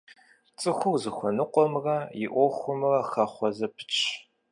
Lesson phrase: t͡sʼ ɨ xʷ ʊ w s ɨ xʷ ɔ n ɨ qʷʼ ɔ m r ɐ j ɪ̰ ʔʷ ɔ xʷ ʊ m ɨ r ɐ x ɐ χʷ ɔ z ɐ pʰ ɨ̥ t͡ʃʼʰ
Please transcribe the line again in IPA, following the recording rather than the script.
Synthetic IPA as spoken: t͡sʼ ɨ xʷ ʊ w z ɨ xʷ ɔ n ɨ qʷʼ ɔ m r ɐ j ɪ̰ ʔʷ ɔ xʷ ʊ m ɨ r ɐ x ɐ χʷ ɔ z ɐ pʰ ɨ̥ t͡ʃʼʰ

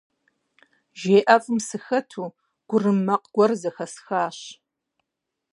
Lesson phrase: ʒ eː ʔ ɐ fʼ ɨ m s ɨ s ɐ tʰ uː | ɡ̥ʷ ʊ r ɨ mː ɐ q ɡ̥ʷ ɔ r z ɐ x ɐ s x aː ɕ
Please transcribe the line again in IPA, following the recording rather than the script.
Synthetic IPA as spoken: ʒ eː ʔ ɐ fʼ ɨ m s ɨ x ɐ tʰ uː | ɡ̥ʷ ʊ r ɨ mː ɐ q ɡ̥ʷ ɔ r z ɐ x ɐ s x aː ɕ

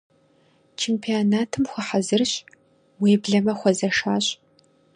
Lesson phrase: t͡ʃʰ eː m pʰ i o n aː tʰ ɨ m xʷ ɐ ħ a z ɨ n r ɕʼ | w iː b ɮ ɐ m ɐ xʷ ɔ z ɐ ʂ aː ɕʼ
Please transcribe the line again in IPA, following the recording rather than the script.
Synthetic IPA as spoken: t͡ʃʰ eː m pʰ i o n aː tʰ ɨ m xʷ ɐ ħ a z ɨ r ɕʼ | w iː b ɮ ɐ m ɐ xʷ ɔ z ɐ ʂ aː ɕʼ

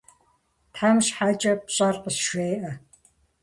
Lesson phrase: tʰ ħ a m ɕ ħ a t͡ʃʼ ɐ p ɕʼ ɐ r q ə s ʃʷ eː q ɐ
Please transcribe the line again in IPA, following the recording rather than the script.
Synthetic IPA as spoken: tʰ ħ a m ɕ ħ a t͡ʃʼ ɐ p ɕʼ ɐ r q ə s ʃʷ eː ʔ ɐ

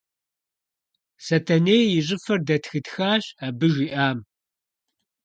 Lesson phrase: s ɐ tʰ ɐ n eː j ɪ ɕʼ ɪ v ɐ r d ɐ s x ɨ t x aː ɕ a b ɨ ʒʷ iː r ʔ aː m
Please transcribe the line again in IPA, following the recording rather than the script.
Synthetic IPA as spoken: s ɐ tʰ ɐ n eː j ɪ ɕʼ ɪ f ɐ r d ɐ t x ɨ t x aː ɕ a b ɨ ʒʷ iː ʔ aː m

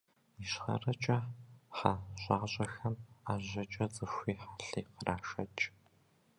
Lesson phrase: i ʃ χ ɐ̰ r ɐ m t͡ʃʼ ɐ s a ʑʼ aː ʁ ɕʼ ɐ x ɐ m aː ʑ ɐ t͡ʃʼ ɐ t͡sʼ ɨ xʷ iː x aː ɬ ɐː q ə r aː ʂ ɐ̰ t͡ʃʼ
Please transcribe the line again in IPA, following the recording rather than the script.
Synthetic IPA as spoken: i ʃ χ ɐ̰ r ɐ t͡ʃʼ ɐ ħ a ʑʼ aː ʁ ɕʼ ɐ x ɐ m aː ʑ ɐ t͡ʃʼ ɐ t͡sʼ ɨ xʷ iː ħ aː ɬ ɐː q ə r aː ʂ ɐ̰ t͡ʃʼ

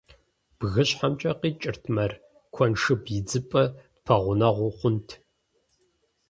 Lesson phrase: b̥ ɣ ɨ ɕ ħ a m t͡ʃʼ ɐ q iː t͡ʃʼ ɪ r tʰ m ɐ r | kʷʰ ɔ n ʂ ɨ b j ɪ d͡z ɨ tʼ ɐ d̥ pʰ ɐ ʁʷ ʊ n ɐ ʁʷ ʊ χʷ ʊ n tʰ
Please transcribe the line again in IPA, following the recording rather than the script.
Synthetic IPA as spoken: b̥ ɣ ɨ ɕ ħ a m t͡ʃʼ ɐ q iː t͡ʃʼ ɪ r tʰ m ɐ r | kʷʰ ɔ n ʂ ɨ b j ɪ d͡z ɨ pʼ ɐ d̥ pʰ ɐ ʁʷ ʊ n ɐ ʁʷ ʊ χʷ ʊ n tʰ

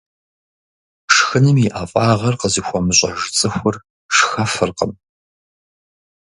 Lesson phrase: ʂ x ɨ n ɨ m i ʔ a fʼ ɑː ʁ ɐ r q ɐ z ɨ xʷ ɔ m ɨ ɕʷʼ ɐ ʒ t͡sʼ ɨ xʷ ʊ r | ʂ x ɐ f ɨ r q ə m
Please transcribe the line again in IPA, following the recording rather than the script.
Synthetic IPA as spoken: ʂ x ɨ n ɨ m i ʔ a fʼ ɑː ʁ ɐ r q ə z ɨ xʷ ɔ m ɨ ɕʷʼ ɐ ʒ t͡sʼ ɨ xʷ ʊ r | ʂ x ɐ f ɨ r q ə m

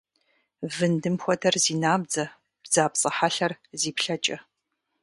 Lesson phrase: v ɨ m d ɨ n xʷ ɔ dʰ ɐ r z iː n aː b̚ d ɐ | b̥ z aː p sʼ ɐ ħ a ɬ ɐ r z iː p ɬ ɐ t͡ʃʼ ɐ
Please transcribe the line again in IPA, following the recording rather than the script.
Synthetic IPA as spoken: v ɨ n d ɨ m xʷ ɔ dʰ ɐ r z iː n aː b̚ d͡z ɐ | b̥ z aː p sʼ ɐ ħ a ɬ ɐ r z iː p ɬ ɐ t͡ʃʼ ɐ

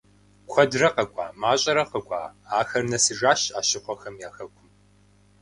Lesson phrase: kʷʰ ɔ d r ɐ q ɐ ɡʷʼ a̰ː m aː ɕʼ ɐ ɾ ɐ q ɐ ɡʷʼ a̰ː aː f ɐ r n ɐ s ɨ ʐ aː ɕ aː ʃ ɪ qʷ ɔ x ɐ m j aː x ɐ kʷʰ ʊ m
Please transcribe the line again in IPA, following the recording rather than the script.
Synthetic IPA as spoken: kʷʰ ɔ d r ɐ q ɐ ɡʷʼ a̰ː m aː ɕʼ ɐ ɾ ɐ q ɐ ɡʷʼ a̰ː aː x ɐ r n ɐ s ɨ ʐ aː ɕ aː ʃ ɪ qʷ ɔ x ɐ m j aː x ɐ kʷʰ ʊ m

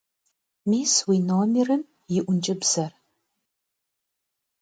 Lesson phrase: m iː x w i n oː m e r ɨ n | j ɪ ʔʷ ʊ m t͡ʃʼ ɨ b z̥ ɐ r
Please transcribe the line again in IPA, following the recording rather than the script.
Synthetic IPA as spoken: m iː s w i n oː m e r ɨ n | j ɪ ʔʷ ʊ n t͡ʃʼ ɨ b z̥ ɐ r

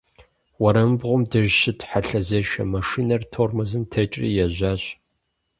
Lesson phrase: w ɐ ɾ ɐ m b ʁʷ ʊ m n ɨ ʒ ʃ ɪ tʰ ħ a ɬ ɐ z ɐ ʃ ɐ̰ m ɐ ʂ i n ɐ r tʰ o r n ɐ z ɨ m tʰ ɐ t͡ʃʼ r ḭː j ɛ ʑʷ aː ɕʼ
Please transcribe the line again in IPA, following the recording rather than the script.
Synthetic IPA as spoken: w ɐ ɾ ɐ m b ʁʷ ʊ m d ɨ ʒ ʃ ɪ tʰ ħ a ɬ ɐ z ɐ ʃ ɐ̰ m ɐ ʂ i n ɐ r tʰ o r m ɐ z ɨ m tʰ ɐ t͡ʃʼ r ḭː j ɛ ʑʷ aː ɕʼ

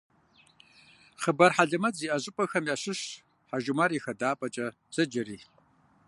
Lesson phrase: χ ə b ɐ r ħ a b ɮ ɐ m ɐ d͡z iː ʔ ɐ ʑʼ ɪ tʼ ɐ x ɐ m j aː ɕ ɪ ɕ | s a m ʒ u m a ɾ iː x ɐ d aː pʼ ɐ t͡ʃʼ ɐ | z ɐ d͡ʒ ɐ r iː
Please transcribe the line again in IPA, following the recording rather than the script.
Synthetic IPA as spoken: χ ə b ɐ r ħ a ɮ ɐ m ɐ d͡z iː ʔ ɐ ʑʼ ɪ pʼ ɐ x ɐ m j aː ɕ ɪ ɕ | ħ a ʒ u m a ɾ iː x ɐ d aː pʼ ɐ t͡ʃʼ ɐ | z ɐ d͡ʒ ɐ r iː

